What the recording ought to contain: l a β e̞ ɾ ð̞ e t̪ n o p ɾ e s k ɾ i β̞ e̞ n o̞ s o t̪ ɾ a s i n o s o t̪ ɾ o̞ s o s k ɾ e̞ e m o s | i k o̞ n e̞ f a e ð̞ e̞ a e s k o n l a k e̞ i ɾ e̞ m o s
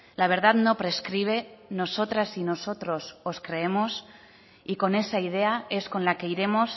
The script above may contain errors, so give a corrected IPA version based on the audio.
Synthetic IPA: l a β e̞ ɾ ð̞ a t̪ n o p ɾ e s k ɾ i β̞ e̞ n o̞ s o t̪ ɾ a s i n o s o t̪ ɾ o̞ s o s k ɾ e̞ e m o s | i k o̞ n e̞ s a i ð̞ e̞ a e s k o n l a k e̞ i ɾ e̞ m o s

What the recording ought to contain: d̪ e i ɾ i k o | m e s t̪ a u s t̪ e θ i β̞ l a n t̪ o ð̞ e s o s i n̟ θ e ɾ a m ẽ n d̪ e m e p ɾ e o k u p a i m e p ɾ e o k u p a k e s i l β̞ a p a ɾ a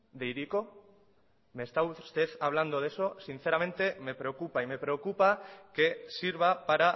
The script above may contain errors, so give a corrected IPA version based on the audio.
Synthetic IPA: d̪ e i ɾ i k o | m e s t̪ a u s t̪ e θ a β̞ l a n d̪ o ð̞ e s o s i n̟ θ e ɾ a m ẽ n t̪ e m e p ɾ e o k u p a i m e p ɾ e o k u p a k e s i ɾ β̞ a p a ɾ a

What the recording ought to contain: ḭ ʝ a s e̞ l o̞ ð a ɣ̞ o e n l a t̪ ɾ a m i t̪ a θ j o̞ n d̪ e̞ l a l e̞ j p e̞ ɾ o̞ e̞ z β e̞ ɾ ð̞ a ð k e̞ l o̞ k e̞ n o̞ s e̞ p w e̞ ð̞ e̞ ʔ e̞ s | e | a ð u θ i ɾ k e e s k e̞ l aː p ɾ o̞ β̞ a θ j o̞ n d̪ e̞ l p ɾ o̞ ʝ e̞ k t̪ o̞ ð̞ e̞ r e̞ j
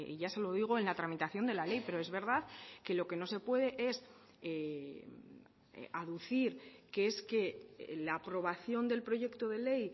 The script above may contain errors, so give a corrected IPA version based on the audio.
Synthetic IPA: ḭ ʝ a s e̞ l o̞ ð i ɣ̞ o e n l a t̪ ɾ a m i t̪ a θ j o̞ n d̪ e̞ l a l e̞ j p e̞ ɾ o̞ e̞ z β e̞ ɾ ð̞ a ð k e̞ l o̞ k e̞ n o̞ s e̞ p w e̞ ð̞ e̞ ʔ e̞ s | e | a ð u θ i ɾ k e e s k e̞ l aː p ɾ o̞ β̞ a θ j o̞ n d̪ e̞ l p ɾ o̞ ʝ e̞ k t̪ o̞ ð̞ e̞ l e̞ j

